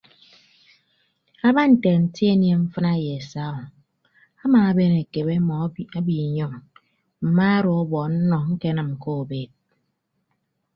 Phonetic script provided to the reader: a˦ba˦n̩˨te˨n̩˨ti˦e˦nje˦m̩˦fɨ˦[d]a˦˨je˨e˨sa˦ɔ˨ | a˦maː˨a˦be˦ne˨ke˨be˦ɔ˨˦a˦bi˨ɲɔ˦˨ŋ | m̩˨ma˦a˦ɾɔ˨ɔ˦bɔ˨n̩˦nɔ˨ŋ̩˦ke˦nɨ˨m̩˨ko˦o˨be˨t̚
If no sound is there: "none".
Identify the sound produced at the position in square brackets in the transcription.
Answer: n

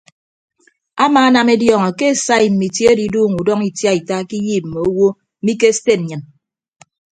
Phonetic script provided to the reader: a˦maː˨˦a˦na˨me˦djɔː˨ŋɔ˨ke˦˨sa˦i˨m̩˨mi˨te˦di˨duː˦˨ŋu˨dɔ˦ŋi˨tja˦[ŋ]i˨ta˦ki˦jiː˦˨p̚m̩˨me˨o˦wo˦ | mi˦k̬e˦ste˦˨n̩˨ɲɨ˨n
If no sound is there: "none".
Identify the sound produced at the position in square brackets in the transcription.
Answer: none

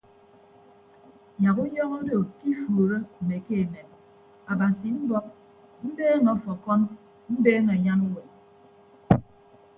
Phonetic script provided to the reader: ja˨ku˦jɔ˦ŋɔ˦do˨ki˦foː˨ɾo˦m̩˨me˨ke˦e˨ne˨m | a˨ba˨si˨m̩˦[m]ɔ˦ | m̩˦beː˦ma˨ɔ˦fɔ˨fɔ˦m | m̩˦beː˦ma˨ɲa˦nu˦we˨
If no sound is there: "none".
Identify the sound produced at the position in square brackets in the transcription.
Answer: b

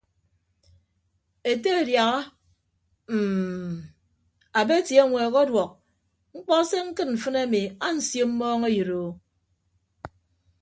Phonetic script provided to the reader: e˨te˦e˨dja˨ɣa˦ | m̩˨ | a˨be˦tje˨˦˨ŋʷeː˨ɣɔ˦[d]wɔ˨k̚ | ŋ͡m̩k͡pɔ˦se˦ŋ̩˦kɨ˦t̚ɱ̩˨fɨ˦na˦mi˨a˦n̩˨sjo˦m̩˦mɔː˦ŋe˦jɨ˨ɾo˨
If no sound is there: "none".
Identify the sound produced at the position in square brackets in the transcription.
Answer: d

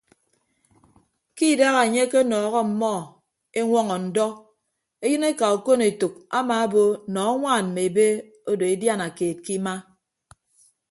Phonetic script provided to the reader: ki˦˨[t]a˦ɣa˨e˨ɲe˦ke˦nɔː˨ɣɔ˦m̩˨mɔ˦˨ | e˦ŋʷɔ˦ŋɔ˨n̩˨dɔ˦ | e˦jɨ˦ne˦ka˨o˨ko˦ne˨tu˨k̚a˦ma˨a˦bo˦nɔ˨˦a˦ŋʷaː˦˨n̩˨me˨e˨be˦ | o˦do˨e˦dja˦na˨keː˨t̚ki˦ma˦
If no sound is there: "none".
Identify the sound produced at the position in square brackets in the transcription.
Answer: d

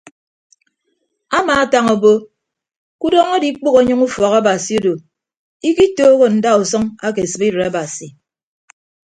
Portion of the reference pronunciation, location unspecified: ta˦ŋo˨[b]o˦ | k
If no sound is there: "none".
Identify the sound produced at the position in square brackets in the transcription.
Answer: b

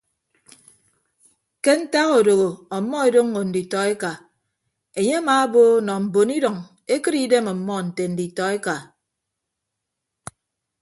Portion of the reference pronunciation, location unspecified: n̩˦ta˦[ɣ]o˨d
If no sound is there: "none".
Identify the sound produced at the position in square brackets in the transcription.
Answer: ɣ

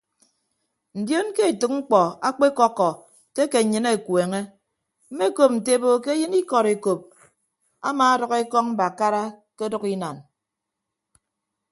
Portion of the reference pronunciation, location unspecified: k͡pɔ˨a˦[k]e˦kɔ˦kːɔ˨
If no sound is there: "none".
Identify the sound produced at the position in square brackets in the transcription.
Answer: k͡p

